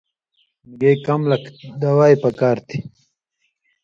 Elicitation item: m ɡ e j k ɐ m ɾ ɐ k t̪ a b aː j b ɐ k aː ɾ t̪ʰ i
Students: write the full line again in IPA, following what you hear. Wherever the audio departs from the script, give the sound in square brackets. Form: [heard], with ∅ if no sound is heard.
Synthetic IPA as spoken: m ɡ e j k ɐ m [l] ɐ k [d̪] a [w] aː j [p] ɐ k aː ɾ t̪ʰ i